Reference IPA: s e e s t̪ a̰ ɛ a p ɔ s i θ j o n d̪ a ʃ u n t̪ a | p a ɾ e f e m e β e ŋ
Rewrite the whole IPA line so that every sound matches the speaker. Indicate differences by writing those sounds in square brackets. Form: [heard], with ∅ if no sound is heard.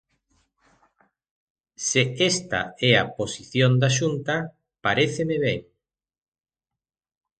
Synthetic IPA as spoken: s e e s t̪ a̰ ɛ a p [o] s i θ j o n d̪ a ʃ u n t̪ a | p a ɾ e [θ] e m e β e ŋ